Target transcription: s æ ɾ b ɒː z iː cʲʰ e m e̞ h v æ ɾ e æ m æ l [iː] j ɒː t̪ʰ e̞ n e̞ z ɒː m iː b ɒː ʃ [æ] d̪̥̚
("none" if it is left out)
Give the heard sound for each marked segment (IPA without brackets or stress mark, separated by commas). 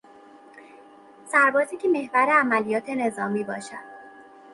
i, æ